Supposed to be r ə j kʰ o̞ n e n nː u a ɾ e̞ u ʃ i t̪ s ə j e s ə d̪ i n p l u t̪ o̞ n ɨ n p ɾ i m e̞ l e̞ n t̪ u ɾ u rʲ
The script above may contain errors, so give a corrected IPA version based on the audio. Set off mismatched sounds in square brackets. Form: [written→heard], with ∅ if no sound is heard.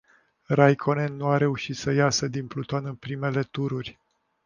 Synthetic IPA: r [ə→a] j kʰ o̞ n e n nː u a ɾ e̞ u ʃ i t̪ s ə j [e→a] s ə d̪ i n p l u t̪ o̞ n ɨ n p ɾ i m e̞ l e̞ [n→∅] t̪ u ɾ u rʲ